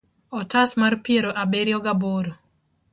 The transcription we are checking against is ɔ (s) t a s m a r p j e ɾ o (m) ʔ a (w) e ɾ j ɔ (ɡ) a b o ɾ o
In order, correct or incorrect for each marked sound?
incorrect: none, incorrect: none, incorrect: b, correct

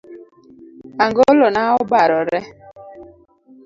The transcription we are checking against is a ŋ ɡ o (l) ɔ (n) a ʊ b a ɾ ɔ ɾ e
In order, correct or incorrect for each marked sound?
correct, correct

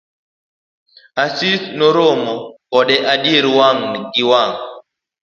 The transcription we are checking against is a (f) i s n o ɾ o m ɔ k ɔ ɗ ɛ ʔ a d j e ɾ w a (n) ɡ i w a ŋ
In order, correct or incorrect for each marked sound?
incorrect: s, incorrect: ŋ

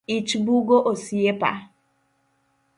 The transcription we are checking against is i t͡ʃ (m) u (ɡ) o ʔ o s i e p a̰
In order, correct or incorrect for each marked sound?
incorrect: b, correct

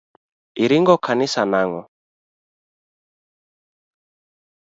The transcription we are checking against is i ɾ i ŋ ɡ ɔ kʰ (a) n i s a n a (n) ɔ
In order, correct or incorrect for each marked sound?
correct, incorrect: ŋ

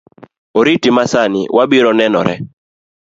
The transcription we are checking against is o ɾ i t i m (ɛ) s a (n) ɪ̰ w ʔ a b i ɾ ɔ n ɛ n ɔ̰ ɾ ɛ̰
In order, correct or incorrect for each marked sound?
incorrect: a, correct

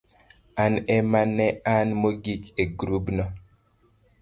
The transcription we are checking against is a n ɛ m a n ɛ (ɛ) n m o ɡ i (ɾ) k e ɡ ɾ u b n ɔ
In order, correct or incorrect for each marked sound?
incorrect: a, incorrect: none

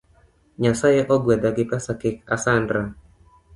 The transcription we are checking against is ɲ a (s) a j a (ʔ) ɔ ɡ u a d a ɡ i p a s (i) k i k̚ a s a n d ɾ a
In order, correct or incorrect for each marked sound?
correct, correct, incorrect: a

